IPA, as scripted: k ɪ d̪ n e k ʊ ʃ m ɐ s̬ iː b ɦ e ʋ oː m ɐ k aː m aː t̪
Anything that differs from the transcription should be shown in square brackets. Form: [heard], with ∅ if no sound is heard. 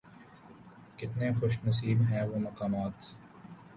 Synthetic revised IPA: k ɪ [t̪] n e [x] ʊ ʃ [n] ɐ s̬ iː b ɦ [ɛ] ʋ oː m ɐ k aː m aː t̪